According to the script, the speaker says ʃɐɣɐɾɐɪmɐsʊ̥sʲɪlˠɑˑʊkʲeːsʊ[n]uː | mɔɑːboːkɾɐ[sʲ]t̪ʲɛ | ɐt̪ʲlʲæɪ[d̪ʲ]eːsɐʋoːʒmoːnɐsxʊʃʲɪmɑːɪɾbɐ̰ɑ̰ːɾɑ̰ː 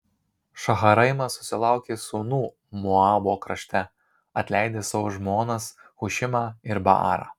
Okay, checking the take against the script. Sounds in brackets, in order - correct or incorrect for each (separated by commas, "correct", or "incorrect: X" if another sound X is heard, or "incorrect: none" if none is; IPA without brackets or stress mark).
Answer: correct, incorrect: ʃʲ, correct